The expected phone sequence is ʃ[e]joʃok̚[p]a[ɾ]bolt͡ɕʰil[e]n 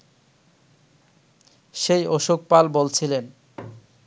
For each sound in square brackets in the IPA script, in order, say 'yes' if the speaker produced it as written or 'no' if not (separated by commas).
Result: yes, yes, no, yes